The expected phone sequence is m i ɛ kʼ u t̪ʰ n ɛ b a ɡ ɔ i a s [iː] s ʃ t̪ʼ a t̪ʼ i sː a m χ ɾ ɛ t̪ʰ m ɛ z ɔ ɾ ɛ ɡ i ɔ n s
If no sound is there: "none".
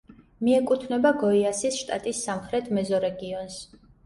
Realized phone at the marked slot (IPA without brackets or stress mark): i